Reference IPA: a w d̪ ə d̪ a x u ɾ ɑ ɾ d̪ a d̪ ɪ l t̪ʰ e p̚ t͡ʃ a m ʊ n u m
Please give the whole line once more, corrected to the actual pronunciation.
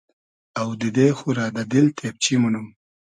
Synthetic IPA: a w d̪ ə d̪ e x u ɾ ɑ d̪ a d̪ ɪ l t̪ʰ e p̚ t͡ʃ i m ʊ n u m